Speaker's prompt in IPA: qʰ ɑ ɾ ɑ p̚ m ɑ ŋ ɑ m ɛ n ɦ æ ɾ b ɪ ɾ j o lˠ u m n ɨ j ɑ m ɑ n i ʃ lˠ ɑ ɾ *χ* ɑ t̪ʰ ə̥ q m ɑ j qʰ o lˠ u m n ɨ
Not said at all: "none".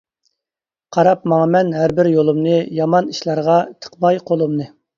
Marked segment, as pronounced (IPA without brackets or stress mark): ʁ